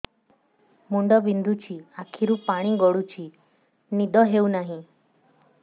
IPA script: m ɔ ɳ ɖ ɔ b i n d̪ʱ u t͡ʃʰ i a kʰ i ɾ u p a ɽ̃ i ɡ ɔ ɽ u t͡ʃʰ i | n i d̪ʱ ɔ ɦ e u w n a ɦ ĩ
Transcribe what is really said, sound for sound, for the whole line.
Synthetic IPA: m u ɳ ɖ ɔ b i n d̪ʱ u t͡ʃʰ i a kʰ i ɾ u p a ɽ̃ i ɡ ɔ ɽ u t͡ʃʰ i | n i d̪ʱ ɔ ɦ e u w n a ɦ ĩ